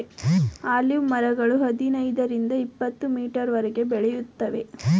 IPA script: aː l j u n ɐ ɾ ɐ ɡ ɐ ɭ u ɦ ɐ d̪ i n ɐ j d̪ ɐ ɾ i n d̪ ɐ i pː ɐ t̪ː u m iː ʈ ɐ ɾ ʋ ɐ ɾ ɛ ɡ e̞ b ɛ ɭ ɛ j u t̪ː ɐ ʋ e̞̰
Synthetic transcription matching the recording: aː l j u m ɐ ɾ ɐ ɡ ɐ ɭ u ɦ ɐ d̪ i n ɐ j d̪ ɐ ɾ i n d̪ ɐ i pː ɐ t̪ː u m iː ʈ ɐ ɾ ʋ ɐ ɾ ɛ ɡ e̞ b ɛ ɭ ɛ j u t̪ː ɐ ʋ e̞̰